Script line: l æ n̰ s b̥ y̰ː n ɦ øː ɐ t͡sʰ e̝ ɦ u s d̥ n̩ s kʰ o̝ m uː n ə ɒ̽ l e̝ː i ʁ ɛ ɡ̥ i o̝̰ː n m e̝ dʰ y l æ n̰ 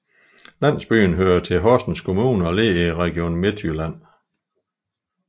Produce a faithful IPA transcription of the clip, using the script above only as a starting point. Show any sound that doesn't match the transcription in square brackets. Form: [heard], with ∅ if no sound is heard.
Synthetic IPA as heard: l æ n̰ s b̥ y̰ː n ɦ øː ɐ t͡sʰ e̝ ɦ [ɒ] s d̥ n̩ s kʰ o̝ m uː n ə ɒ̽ l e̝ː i ʁ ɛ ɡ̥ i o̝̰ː n m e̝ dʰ y l æ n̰